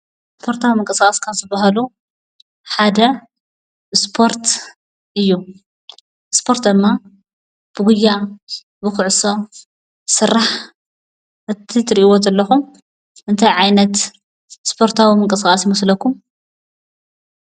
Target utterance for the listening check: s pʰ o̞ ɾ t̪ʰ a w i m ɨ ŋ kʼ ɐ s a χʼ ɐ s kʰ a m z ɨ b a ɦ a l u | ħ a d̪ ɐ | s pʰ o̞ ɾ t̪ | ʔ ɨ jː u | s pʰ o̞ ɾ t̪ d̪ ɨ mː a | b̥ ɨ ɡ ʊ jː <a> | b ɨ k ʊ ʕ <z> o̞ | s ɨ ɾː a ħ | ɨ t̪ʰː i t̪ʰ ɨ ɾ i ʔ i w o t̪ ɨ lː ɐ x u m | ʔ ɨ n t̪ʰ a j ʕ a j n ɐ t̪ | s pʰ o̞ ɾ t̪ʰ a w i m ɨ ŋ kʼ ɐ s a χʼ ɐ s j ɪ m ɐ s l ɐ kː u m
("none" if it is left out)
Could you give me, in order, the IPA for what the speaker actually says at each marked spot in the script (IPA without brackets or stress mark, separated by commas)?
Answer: a, s